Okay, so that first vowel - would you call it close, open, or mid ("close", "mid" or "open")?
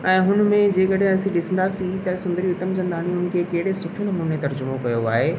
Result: mid